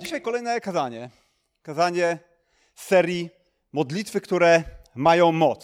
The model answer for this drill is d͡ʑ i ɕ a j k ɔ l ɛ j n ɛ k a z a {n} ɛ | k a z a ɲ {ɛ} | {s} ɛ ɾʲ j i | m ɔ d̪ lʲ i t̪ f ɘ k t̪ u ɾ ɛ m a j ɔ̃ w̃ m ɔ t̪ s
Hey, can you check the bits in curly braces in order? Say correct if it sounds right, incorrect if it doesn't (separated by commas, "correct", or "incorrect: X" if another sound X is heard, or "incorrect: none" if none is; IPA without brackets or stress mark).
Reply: incorrect: ɲ, correct, correct